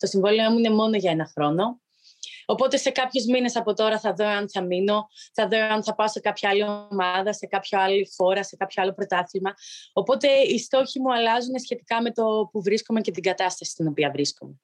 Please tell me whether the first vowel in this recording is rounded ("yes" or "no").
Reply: yes